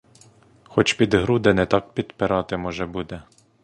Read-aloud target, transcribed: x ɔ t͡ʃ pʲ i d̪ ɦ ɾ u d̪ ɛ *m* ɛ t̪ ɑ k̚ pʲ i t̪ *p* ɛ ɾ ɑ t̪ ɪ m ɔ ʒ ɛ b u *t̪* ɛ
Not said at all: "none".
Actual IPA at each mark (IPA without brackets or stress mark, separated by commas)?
n, p, d̪